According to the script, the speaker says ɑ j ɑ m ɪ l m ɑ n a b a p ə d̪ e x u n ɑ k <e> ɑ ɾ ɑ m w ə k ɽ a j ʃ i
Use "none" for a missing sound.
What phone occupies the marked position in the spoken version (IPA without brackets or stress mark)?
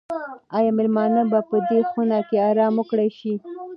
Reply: e